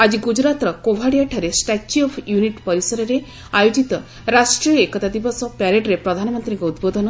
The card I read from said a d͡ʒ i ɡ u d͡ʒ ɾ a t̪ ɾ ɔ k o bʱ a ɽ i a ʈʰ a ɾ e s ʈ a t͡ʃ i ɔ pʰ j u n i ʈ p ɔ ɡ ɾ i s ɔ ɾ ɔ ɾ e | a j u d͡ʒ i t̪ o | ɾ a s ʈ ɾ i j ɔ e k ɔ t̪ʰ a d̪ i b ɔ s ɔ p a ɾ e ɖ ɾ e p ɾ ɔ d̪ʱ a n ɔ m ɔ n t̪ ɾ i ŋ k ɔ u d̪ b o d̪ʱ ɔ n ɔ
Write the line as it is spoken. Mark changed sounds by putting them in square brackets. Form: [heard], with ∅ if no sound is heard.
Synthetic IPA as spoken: a d͡ʒ i ɡ u d͡ʒ ɾ a t̪ ɾ ɔ k o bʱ a ɽ i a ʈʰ a ɾ e s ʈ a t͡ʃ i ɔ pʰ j u n i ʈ p ɔ [∅] ɾ i s ɔ ɾ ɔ ɾ e | a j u d͡ʒ i t̪ [ɔ] | ɾ a s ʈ ɾ i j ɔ e k ɔ [t̪] a d̪ i b ɔ s ɔ p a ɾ e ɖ ɾ e p ɾ ɔ d̪ʱ a n ɔ m ɔ n t̪ ɾ i ŋ k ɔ u d̪ b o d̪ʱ ɔ n ɔ